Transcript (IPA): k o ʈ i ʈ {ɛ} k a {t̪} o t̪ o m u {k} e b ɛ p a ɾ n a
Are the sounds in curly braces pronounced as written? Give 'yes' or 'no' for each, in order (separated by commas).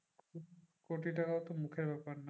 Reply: no, no, no